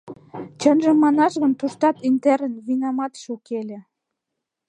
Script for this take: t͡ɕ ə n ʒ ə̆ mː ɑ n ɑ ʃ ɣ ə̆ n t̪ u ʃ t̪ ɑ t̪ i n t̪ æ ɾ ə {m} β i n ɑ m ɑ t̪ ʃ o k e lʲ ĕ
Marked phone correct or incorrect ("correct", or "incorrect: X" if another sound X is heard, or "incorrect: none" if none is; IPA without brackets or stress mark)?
incorrect: n